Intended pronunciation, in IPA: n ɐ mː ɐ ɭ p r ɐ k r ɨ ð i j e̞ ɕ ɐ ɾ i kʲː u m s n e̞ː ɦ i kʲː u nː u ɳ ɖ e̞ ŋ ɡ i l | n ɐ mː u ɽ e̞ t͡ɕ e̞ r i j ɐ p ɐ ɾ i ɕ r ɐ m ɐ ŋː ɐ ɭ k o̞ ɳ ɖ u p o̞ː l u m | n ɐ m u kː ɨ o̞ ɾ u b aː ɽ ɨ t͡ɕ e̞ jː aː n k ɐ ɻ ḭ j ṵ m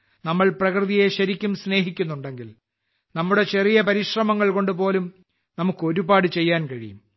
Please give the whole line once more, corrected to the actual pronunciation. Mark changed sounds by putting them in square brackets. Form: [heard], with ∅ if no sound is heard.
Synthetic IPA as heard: n ɐ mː ɐ ɭ p r ɐ k r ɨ ð i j e̞ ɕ ɐ ɾ i kʲː u m s n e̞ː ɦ i kʲː u nː u ɳ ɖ e̞ ŋ ɡ i l | n ɐ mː u ɽ e̞ t͡ɕ e̞ r i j ɐ p ɐ ɾ i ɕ r ɐ m ɐ ŋː ɐ ɭ k o̞ ɳ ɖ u p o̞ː l u m | n ɐ m u kː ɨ o̞ ɾ u b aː ɽ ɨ t͡ɕ e̞ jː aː n k ɐ ɻ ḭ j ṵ m

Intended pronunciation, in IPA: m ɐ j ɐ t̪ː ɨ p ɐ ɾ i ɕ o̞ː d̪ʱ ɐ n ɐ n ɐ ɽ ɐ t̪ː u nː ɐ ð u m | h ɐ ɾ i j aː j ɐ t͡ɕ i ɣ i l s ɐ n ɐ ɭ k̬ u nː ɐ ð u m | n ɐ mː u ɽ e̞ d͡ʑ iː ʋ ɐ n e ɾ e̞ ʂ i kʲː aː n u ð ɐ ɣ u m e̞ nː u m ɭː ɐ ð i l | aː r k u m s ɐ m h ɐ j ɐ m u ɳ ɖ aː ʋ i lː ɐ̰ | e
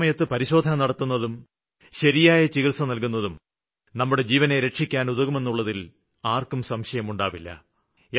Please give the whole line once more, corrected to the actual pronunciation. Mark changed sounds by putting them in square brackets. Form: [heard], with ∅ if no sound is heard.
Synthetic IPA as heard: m ɐ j ɐ t̪ː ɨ p ɐ ɾ i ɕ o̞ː d̪ʱ ɐ n ɐ n ɐ ɽ ɐ t̪ː u nː ɐ ð u m | [ɕ] ɐ ɾ i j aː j ɐ t͡ɕ i ɣ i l s ɐ n ɐ [l] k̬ u nː ɐ ð u m | n ɐ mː u ɽ e̞ d͡ʑ iː ʋ ɐ n e ɾ e̞ ʂ i kʲː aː n u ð ɐ ɣ u m e̞ nː u [∅] ɭː ɐ ð i l | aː r k u m s ɐ m [ɕ] ɐ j ɐ m u ɳ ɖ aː ʋ i lː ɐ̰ | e

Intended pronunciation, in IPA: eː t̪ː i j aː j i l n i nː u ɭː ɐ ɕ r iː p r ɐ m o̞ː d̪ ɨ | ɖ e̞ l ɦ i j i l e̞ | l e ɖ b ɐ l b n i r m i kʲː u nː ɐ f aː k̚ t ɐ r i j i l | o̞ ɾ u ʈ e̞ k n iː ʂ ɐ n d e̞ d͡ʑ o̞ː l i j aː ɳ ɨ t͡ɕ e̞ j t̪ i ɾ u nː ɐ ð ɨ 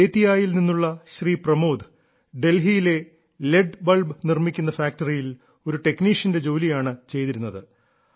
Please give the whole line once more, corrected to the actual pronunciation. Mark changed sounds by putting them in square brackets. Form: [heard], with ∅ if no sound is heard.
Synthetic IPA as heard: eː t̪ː i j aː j i l n i nː u ɭː ɐ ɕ r iː p r ɐ m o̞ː d̪ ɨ | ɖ e̞ l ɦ i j i l e̞ | l e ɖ b ɐ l b n i r m i kʲː u nː ɐ f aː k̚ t ɐ r i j i l | o̞ ɾ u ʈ e̞ k n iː ʂ ɐ n d e̞ d͡ʑ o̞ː l i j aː ɳ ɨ t͡ɕ e̞ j t̪ i ɾ u nː ɐ ð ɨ

